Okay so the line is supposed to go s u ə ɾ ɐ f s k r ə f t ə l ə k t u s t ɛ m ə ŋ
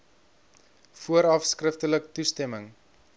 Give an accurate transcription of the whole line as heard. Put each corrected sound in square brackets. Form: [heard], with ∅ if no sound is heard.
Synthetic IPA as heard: [f] u ə ɾ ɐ f s k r ə f t ə l ə k t u s t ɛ m ə ŋ